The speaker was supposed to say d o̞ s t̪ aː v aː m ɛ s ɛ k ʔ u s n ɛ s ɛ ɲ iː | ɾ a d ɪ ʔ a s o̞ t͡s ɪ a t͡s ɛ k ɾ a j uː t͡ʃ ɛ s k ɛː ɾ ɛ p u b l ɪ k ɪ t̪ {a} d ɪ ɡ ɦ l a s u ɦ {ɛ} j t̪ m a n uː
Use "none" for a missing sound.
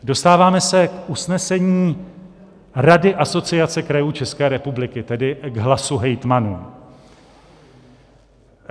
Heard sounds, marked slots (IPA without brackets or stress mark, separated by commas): ɛ, ɛ